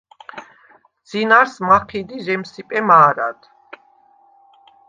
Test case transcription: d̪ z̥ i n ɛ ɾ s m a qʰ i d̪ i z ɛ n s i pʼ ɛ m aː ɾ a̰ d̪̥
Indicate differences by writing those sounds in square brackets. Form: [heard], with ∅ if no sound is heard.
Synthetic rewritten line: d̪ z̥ i n [a] ɾ s m a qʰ i d̪ i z ɛ [m] s i pʼ ɛ m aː ɾ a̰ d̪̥